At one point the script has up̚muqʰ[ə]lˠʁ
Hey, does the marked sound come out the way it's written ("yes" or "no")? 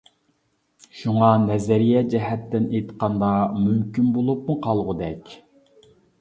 no